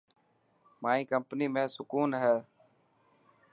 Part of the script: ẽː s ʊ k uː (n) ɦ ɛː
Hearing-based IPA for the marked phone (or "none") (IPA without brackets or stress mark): n